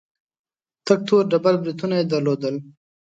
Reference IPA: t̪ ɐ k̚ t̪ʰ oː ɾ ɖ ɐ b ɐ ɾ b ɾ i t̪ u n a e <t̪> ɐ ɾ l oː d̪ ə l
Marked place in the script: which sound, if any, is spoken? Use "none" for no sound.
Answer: d̪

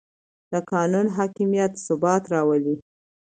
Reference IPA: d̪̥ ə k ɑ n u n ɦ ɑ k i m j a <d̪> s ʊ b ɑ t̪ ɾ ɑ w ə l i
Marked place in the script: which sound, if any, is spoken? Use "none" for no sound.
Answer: t̪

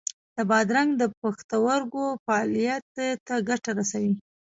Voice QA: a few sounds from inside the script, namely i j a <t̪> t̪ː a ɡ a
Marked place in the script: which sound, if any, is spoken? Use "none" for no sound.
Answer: t̪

